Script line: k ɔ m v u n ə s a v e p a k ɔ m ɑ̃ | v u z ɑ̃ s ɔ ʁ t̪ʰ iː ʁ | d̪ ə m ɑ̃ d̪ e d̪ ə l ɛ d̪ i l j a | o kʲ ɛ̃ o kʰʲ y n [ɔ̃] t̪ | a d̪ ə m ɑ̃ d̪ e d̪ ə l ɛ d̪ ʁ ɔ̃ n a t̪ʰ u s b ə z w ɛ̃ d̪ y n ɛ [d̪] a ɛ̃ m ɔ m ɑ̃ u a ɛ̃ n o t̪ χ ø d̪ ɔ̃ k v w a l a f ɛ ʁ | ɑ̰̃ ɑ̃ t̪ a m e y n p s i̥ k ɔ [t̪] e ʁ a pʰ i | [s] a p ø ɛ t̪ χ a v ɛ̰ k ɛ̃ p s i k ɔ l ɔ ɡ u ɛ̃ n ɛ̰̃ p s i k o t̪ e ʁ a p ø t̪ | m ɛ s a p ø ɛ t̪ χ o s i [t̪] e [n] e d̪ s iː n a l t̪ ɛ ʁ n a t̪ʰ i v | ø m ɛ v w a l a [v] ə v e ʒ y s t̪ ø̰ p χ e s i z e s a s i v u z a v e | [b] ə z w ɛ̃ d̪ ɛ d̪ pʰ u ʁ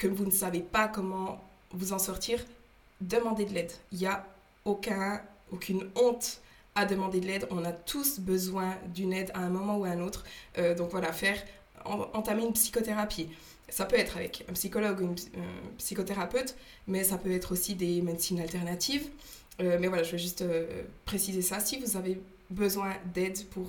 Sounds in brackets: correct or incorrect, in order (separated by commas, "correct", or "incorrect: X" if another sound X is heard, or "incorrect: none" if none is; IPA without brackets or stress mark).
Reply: correct, correct, correct, correct, incorrect: d̪, incorrect: m, incorrect: ʒ, correct